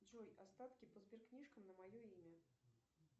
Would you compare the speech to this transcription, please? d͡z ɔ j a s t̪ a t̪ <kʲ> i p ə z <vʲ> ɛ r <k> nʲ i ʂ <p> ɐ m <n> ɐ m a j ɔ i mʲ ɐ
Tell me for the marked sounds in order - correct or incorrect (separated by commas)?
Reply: correct, incorrect, correct, incorrect, correct